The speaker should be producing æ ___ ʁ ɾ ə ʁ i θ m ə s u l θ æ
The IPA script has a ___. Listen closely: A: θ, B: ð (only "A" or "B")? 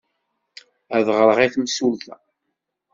B